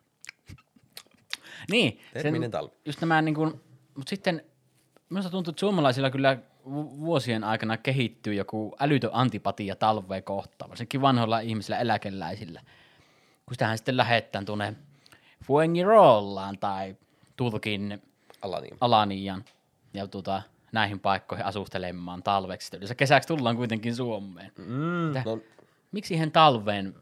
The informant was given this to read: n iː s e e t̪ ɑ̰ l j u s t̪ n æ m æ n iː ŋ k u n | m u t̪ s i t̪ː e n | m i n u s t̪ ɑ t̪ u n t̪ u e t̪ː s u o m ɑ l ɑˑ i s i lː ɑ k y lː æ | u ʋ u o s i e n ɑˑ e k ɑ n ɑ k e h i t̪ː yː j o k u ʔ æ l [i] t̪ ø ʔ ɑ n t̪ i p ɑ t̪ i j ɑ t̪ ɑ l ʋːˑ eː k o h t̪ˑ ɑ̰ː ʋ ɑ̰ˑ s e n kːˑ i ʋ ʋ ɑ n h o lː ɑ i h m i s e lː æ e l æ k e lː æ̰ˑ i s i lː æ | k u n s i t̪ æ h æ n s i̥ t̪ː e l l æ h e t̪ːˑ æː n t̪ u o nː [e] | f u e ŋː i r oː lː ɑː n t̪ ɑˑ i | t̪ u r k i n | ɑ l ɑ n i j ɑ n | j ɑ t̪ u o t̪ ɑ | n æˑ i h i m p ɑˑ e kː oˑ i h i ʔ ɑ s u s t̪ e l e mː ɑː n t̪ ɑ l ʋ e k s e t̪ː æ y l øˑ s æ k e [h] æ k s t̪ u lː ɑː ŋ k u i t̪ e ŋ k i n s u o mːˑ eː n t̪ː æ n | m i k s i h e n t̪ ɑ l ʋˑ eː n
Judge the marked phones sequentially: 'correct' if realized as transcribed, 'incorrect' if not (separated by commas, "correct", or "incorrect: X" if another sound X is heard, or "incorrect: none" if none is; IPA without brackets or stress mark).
incorrect: y, correct, incorrect: s